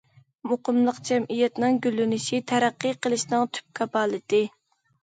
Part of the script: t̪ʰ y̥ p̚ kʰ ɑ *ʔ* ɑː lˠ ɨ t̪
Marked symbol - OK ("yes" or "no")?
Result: no